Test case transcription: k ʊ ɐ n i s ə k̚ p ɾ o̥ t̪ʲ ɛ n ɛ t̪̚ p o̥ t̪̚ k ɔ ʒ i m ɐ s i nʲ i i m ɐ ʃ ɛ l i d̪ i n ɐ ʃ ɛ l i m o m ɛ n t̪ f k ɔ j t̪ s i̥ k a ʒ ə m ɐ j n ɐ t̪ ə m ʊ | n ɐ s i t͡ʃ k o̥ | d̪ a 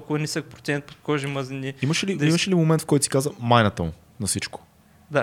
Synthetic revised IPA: k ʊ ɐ n i s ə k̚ p ɾ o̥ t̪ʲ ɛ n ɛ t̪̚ p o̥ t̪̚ k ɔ ʒ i m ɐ z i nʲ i i m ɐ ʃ ɛ l i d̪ i m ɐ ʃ ɛ l i m o m ɛ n t̪ f k ɔ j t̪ s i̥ k a z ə m a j n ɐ t̪ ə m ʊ | n ɐ s i t͡ʃ k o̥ | d̪ a